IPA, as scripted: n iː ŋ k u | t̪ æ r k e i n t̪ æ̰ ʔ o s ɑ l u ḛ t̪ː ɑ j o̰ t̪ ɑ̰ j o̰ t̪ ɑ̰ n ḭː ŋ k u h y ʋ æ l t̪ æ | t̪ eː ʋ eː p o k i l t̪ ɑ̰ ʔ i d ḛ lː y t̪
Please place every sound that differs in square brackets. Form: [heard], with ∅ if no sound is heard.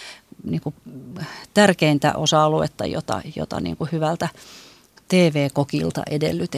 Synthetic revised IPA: n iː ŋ k u | t̪ æ r k e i n t̪ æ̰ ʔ o s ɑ l u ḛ t̪ː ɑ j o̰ t̪ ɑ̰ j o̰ t̪ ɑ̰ n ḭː ŋ k u h y ʋ æ l t̪ æ | t̪ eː ʋ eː [k] o k i l t̪ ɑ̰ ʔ [e] d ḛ lː y t̪